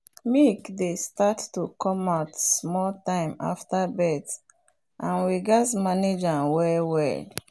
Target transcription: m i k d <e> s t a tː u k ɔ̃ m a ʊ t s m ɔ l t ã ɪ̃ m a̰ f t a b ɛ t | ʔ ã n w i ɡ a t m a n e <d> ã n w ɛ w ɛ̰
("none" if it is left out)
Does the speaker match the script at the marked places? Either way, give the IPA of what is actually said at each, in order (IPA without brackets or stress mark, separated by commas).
e, d͡ʒ